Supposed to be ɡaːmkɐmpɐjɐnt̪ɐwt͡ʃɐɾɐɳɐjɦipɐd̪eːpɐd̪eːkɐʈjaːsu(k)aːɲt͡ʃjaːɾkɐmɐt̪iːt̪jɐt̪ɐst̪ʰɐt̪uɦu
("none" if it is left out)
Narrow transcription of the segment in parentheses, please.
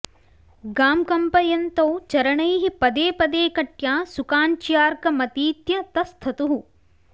k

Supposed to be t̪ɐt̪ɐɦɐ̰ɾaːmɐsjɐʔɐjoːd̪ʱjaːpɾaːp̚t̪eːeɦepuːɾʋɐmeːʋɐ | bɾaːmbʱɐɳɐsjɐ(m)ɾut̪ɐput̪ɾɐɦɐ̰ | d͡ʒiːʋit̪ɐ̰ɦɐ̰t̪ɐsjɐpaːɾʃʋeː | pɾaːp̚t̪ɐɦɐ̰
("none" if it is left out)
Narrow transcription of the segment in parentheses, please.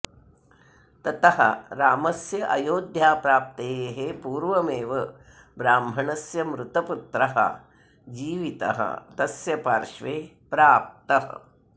m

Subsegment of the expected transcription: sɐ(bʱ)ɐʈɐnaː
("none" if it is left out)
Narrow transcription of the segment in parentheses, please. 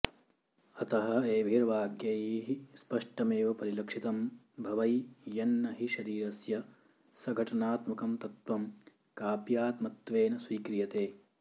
ɡʱ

